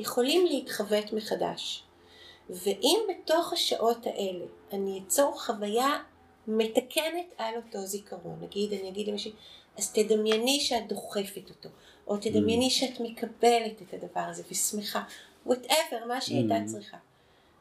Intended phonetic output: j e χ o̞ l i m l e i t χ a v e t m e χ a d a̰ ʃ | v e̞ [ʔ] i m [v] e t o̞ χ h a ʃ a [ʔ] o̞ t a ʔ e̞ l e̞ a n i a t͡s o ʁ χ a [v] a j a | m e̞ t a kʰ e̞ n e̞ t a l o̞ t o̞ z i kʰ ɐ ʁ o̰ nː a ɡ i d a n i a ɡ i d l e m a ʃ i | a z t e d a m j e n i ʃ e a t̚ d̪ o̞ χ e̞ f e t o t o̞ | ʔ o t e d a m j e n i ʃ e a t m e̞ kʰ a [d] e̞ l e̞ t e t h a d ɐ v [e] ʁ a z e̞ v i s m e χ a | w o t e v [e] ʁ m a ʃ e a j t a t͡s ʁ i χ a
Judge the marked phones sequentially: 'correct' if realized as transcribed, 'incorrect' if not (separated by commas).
correct, incorrect, correct, correct, incorrect, incorrect, correct